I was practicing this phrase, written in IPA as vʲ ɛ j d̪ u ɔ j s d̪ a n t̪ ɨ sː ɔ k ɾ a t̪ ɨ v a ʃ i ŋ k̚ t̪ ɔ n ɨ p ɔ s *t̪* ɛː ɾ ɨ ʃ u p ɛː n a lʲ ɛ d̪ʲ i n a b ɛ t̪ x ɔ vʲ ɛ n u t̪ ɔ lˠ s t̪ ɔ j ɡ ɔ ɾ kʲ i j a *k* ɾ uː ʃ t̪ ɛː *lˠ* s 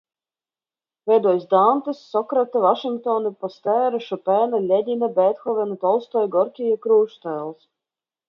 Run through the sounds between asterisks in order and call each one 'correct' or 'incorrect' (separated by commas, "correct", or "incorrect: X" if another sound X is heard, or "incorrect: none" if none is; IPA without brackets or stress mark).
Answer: correct, correct, correct